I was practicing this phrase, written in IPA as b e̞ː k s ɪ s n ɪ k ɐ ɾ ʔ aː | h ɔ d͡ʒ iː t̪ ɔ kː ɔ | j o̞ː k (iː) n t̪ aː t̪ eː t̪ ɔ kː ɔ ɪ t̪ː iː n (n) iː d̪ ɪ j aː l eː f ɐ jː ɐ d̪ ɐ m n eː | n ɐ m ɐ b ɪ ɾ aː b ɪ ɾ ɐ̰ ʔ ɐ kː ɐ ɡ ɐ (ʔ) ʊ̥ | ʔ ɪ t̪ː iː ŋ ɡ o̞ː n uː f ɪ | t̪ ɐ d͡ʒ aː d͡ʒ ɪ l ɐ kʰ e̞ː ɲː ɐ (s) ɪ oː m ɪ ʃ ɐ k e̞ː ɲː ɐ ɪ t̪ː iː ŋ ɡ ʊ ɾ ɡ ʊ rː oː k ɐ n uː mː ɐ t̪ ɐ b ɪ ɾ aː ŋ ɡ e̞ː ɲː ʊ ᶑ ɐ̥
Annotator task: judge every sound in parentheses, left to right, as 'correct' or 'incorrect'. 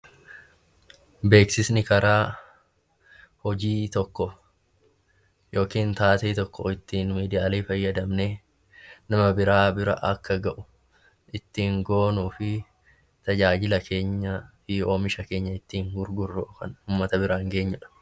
correct, incorrect, correct, incorrect

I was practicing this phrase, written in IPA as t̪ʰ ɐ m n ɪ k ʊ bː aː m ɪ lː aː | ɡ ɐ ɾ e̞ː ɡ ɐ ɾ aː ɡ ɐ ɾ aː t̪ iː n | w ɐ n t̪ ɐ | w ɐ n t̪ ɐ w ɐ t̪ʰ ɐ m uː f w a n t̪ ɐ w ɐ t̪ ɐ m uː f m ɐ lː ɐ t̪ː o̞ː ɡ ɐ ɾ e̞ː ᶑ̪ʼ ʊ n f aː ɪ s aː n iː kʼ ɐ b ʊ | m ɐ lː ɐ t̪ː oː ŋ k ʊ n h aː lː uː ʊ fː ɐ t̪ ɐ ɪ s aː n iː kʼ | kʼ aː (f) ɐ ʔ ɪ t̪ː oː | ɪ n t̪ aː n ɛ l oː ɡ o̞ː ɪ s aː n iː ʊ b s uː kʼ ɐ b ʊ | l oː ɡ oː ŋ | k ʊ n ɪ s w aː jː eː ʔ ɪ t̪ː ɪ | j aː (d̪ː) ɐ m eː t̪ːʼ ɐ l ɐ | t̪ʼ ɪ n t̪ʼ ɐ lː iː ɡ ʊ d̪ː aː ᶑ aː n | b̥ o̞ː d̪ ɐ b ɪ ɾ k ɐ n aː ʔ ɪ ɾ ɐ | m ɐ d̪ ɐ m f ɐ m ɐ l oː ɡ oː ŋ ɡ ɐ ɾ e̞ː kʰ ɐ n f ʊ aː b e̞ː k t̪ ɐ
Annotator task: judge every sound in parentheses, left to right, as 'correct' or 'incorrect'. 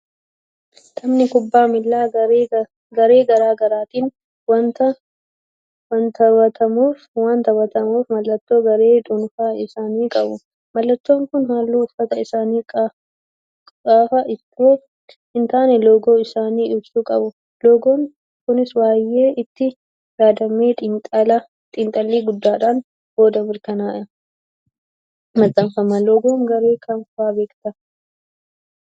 correct, incorrect

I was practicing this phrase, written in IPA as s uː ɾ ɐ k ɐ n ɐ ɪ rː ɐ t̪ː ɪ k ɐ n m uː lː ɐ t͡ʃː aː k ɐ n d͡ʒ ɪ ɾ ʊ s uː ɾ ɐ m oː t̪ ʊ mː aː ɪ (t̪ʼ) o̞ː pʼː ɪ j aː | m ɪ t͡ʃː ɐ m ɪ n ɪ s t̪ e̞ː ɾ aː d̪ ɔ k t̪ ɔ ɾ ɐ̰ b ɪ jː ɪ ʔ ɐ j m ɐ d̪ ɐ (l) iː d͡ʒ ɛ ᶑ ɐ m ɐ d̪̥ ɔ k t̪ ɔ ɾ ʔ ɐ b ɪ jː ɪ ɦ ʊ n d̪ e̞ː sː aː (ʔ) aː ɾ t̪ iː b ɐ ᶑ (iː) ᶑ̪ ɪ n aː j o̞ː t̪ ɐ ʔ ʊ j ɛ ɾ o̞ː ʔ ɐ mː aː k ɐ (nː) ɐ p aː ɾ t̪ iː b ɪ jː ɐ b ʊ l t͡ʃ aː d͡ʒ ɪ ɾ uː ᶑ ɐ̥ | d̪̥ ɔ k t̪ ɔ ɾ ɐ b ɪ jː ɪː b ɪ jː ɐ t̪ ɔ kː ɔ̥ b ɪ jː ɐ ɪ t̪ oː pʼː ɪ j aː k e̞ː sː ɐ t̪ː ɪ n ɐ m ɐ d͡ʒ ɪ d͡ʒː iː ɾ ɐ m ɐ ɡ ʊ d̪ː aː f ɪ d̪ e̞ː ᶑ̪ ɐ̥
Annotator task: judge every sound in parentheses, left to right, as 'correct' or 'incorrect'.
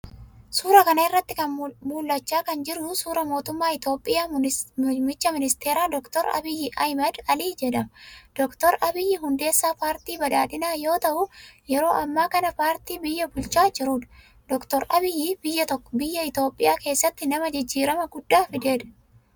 incorrect, correct, incorrect, incorrect, incorrect

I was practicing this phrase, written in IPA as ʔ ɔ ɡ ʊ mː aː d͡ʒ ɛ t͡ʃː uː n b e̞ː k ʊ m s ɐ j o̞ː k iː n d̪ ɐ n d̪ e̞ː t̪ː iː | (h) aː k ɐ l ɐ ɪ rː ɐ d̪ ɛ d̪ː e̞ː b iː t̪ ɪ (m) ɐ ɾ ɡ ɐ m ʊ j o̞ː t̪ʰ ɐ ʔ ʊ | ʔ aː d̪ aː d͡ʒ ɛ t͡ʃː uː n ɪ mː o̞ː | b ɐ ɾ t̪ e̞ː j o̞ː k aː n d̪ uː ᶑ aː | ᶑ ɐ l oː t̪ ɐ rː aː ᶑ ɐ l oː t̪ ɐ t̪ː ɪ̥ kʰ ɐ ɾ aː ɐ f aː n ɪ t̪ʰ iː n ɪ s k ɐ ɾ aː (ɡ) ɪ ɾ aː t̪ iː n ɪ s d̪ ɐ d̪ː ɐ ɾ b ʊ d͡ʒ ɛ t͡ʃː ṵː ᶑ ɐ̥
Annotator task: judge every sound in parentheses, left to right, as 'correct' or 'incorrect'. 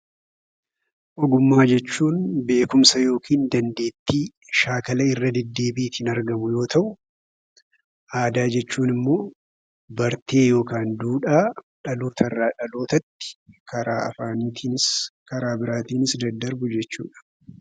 incorrect, incorrect, incorrect

